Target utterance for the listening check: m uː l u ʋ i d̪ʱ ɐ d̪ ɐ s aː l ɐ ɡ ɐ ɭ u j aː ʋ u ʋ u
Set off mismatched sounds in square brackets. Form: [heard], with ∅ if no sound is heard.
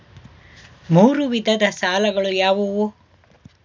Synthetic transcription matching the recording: m uː [ɾ] u ʋ i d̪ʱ ɐ d̪ ɐ s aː l ɐ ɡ ɐ ɭ u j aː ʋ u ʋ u